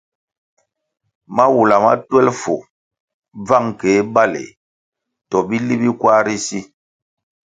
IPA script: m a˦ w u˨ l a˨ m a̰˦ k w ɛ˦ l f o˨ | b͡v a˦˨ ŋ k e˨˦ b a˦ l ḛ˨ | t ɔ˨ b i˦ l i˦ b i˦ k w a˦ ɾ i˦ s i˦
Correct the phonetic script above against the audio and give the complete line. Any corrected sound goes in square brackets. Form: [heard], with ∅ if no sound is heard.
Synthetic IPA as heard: m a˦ w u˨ l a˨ m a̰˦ [t] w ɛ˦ l f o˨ | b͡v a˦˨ ŋ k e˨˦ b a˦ l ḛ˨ | t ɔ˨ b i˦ l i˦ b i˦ k w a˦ ɾ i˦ s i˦